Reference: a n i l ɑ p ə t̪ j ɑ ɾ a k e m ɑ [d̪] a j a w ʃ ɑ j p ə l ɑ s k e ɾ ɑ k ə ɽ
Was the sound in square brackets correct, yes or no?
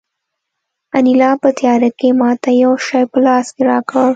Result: no